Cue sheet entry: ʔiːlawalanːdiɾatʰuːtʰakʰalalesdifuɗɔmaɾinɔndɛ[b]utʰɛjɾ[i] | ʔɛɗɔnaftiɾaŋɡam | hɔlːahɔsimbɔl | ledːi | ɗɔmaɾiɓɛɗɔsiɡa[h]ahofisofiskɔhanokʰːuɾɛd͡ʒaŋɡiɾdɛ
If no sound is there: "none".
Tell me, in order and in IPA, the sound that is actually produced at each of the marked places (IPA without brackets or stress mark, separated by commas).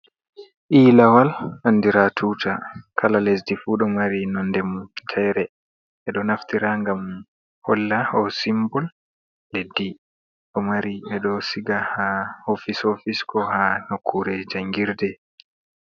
m, ɛ, h